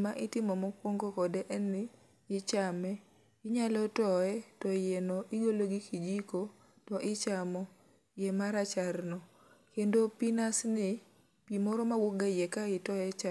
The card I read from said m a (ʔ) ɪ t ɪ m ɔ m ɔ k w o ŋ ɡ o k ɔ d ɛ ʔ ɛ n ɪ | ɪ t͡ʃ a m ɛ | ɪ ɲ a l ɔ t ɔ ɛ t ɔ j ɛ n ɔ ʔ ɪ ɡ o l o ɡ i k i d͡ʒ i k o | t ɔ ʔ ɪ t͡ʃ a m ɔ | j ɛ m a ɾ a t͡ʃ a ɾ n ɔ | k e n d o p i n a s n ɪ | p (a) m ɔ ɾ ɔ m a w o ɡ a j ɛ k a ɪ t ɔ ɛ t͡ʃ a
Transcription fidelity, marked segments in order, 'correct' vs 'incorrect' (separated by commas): correct, incorrect